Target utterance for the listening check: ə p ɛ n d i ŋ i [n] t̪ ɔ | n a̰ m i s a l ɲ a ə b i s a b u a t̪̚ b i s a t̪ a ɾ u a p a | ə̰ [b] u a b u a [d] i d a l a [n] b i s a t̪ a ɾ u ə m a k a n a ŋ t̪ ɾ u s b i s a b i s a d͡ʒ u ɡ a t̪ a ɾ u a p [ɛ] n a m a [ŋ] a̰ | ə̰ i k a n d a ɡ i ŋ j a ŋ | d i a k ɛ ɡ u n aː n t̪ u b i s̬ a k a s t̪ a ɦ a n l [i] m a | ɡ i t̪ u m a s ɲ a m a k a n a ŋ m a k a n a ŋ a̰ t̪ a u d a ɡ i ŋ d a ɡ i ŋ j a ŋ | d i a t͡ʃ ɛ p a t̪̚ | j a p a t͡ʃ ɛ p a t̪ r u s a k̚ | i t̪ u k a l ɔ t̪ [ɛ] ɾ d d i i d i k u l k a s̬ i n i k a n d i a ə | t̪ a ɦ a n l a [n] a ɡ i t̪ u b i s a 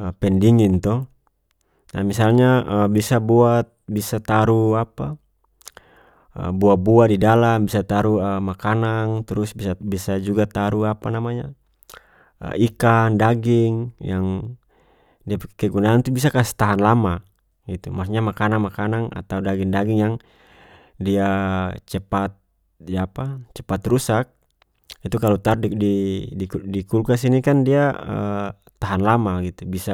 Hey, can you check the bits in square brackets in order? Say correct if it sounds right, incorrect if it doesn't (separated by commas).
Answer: correct, correct, correct, incorrect, incorrect, incorrect, incorrect, incorrect, incorrect